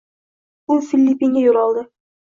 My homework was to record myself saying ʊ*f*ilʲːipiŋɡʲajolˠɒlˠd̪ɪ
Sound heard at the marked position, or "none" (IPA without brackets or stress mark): f